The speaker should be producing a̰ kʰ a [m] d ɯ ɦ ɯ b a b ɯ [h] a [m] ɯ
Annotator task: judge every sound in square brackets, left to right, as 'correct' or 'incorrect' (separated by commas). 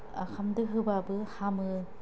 correct, correct, correct